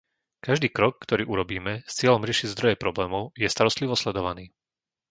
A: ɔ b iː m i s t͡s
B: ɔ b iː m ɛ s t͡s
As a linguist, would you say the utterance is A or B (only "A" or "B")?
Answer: B